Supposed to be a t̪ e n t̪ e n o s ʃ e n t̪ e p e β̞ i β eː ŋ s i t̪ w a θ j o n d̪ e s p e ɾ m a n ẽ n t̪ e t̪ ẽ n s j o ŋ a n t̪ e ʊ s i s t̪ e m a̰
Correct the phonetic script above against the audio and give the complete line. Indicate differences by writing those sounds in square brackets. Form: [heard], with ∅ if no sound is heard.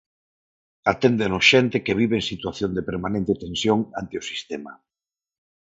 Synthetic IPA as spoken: a t̪ e n [d̪] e n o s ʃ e n t̪ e [k] e β̞ i β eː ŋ s i t̪ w a θ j o n d̪ e [∅] p e ɾ m a n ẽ n t̪ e t̪ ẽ n s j o ŋ a n t̪ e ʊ s i s t̪ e m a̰

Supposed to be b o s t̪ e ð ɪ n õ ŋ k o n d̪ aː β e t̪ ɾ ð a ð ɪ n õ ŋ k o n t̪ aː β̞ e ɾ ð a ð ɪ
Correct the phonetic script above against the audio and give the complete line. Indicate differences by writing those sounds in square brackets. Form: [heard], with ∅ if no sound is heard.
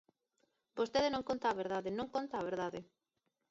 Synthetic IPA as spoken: b o s t̪ e ð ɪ n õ ŋ k o n [t̪] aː β e [∅] ɾ ð a ð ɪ n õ ŋ k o n t̪ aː β̞ e ɾ ð a ð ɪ

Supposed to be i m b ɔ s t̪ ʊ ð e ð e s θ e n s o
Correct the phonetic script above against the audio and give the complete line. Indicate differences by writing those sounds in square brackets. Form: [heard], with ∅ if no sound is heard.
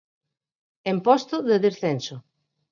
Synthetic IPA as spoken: [e] m [p] ɔ s t̪ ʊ ð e ð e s θ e n s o

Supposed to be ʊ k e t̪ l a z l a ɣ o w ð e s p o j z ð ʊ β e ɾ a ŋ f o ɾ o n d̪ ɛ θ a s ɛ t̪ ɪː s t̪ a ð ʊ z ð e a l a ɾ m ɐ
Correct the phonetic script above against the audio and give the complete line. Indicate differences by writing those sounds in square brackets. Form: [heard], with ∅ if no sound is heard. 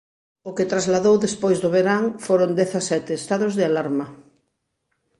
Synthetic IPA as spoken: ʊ k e t̪ [ɾ] a z l a [ð] o w ð e s p o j z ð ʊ β e ɾ a ŋ f o ɾ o n d̪ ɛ θ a s ɛ t̪ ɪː s t̪ a ð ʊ z ð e a l a ɾ m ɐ

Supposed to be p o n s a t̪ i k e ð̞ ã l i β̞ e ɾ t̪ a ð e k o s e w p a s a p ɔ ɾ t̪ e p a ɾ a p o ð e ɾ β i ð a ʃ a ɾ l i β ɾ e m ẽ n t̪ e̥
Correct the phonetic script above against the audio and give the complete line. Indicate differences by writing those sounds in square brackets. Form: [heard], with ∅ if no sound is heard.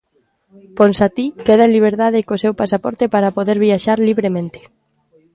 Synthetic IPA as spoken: p o n s a t̪ i k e ð̞ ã l i β̞ e ɾ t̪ a ð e k o s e w p a s a p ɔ ɾ t̪ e p a ɾ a p o ð e ɾ β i [∅] a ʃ a ɾ l i β ɾ e m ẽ n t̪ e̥

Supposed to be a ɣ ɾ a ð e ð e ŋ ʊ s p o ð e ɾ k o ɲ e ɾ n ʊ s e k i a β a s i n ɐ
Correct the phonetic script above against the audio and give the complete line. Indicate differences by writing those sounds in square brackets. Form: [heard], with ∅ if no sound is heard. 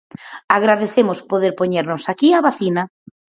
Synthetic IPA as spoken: a ɣ ɾ a ð e [θ] e [m] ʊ s p o ð e ɾ [p] o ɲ e ɾ n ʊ s [a] k i a β a [θ] i n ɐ

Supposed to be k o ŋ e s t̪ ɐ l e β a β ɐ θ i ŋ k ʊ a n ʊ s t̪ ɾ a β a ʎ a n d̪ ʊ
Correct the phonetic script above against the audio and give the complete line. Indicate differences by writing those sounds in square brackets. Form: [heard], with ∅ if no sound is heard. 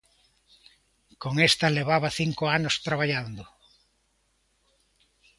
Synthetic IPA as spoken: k o ŋ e s t̪ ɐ l e β a β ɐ θ i ŋ k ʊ a n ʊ s t̪ ɾ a β a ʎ a n d̪ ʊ

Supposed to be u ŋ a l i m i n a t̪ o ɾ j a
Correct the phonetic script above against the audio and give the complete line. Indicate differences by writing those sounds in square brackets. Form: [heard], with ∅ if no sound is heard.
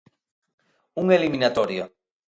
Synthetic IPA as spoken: u ŋ [e] l i m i n a t̪ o ɾ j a

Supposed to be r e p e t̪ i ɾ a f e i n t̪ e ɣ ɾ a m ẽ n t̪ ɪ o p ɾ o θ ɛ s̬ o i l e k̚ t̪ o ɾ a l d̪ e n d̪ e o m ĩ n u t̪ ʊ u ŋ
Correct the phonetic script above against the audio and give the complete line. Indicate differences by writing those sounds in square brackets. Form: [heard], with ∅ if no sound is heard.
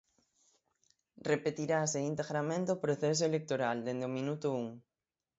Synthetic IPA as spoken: r e p e t̪ i ɾ a [s] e i n t̪ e ɣ ɾ a m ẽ n t̪ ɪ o p ɾ o θ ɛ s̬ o [e] l e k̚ t̪ o ɾ a l d̪ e n d̪ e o m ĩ n u t̪ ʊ u ŋ

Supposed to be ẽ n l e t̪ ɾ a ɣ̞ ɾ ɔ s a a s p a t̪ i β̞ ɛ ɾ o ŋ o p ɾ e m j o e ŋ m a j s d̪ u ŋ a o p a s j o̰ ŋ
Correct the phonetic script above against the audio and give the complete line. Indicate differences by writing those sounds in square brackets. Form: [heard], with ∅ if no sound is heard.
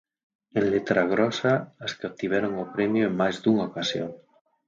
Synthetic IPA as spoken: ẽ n l e t̪ ɾ a ɣ̞ ɾ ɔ s a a s [k] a t̪ i β̞ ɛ ɾ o ŋ o p ɾ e m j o e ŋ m a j [z] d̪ u ŋ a o [k] a s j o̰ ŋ

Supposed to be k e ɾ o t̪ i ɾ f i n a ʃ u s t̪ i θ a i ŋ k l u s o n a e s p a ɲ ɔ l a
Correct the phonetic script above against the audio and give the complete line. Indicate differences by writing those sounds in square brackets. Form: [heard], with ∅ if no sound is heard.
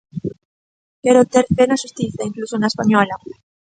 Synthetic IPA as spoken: k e ɾ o t̪ [e] ɾ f [e] n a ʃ u s t̪ i θ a i ŋ k l u s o n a e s p a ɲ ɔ l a

